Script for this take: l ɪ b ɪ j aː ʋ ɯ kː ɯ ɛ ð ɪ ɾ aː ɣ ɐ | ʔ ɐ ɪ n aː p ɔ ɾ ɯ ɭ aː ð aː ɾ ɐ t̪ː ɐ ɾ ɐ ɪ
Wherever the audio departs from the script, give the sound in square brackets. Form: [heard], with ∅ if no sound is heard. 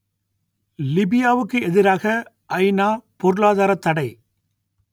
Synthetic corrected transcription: l ɪ b ɪ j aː ʋ ɯ kː ɯ ɛ ð ɪ ɾ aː ɣ ɐ | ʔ ɐ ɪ n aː p ɔ ɾ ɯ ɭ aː ð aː ɾ ɐ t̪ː ɐ [ɽ] ɐ ɪ